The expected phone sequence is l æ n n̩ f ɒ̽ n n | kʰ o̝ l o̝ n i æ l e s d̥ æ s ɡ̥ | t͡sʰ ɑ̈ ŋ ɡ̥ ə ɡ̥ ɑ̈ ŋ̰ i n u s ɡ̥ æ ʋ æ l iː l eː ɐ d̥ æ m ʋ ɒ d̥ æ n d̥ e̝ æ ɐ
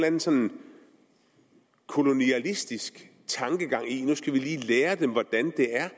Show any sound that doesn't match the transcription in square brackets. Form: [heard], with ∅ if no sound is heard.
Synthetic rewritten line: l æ n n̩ [s] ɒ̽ n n | kʰ o̝ l o̝ n i æ l [i] s d̥ [i] s ɡ̥ | t͡sʰ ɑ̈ ŋ ɡ̥ ə ɡ̥ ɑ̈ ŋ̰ i n u s ɡ̥ æ ʋ [i] l iː l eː ɐ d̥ [e] m ʋ ɒ d̥ æ n d̥ e̝ æ ɐ